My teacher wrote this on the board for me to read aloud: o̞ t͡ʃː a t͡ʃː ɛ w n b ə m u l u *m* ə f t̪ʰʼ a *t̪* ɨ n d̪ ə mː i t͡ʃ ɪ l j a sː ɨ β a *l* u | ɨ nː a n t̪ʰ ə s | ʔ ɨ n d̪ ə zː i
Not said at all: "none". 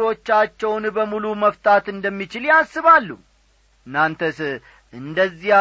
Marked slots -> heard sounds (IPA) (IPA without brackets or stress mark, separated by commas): m, t̪, lː